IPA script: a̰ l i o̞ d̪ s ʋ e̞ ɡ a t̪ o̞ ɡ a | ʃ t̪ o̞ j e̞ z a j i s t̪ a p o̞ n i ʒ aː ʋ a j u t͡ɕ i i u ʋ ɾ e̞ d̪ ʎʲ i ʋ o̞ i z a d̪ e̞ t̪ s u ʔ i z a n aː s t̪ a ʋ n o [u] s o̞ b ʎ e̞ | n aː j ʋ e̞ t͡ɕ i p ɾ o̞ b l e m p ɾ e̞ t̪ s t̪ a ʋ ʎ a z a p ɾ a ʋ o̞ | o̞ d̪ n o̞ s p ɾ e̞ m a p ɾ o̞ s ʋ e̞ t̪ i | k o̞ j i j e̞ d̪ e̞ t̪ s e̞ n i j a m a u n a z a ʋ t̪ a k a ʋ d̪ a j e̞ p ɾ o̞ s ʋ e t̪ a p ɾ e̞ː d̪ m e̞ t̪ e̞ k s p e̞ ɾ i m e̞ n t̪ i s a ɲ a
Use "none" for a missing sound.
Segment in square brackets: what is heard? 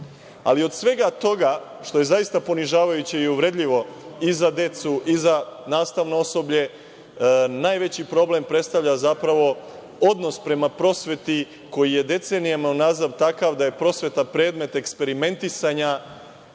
o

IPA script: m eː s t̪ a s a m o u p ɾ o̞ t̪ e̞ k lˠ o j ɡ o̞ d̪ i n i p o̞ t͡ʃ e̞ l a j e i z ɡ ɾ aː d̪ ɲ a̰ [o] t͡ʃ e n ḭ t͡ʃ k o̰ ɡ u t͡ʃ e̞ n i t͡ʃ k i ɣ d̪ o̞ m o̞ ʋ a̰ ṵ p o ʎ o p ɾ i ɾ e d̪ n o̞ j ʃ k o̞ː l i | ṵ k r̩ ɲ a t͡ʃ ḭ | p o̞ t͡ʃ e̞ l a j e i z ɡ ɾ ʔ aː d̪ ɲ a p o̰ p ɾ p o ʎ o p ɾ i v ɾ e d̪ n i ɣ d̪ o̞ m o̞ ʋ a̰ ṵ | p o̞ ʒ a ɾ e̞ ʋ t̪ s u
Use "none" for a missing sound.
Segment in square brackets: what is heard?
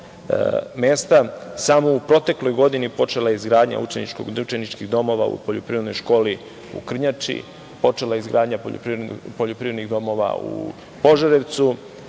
u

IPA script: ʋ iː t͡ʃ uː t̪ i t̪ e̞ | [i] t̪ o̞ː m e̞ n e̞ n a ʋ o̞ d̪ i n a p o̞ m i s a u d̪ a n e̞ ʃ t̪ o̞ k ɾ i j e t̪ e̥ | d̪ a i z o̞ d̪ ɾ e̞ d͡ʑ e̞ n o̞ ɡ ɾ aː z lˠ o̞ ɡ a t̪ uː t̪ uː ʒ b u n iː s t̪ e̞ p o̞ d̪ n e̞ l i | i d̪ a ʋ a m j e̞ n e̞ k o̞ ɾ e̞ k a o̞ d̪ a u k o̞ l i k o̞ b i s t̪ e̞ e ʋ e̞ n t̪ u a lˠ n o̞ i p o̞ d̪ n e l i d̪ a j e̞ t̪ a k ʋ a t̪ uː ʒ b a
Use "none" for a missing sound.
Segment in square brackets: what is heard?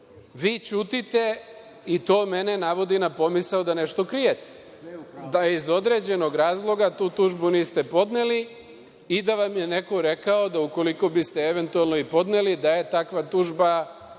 i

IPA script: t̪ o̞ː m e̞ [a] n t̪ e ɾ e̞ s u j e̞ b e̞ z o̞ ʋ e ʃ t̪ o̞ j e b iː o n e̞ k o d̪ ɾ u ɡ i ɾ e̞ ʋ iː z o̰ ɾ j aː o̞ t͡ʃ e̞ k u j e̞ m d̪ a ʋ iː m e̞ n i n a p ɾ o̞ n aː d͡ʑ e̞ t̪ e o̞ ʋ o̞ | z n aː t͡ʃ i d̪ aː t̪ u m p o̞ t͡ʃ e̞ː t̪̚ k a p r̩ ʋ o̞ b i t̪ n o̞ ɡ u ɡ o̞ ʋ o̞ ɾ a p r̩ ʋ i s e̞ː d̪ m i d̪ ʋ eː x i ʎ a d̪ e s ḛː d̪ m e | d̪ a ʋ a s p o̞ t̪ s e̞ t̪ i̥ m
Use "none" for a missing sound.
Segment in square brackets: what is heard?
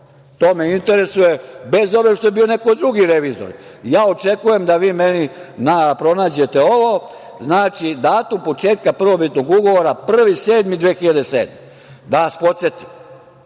i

